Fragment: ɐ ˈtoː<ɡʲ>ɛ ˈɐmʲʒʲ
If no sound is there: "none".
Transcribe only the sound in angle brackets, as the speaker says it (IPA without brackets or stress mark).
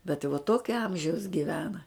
kʲ